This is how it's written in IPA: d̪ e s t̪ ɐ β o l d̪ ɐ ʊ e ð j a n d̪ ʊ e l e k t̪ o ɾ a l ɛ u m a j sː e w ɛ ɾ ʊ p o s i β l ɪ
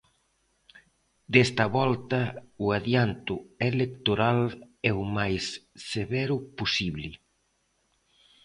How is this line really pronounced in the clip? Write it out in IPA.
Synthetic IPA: d̪ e s t̪ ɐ β ɔ l t̪ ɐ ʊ a ð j a n t̪ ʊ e l e k t̪ o ɾ a l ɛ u m a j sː e β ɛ ɾ ʊ p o s i β l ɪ